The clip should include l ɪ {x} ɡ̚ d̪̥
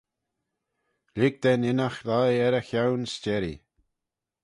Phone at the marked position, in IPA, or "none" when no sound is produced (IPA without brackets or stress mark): none